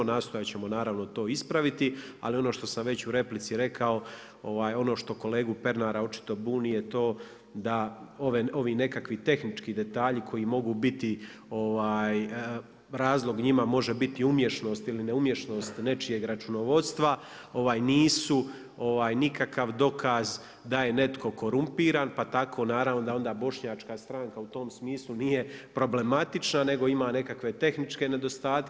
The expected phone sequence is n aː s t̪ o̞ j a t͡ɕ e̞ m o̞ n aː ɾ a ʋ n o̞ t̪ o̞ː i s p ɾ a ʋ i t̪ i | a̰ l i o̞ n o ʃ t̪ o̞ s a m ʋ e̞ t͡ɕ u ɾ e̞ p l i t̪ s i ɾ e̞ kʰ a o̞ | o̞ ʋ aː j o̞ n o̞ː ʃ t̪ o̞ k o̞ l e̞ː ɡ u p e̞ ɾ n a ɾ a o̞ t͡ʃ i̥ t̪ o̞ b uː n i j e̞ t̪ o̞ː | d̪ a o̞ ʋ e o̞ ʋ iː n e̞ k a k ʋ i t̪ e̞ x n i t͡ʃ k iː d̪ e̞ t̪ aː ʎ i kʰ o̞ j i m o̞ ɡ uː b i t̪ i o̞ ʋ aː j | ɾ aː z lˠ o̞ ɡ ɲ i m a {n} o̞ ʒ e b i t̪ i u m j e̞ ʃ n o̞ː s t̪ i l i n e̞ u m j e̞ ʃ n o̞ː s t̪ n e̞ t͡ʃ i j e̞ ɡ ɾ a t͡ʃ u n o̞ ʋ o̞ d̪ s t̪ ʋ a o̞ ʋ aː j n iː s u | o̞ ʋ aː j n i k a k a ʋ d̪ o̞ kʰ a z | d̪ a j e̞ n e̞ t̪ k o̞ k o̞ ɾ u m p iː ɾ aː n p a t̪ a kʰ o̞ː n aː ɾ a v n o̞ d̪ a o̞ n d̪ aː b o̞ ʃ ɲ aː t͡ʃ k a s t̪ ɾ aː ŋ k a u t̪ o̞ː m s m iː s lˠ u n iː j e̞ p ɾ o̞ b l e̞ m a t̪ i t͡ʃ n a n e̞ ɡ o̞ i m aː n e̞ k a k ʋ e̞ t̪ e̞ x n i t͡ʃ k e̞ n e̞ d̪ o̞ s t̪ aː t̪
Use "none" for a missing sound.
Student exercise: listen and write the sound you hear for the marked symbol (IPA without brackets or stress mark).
m